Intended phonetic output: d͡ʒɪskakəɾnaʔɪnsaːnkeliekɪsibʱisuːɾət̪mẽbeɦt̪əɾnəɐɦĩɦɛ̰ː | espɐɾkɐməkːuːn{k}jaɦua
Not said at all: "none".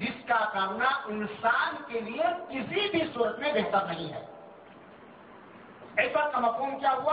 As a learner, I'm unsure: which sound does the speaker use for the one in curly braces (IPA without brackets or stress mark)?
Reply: k